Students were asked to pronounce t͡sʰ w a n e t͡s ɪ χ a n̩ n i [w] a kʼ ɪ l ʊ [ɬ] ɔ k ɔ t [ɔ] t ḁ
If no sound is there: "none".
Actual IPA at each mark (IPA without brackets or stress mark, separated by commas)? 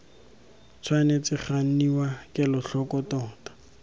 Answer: w, ɬ, ɔː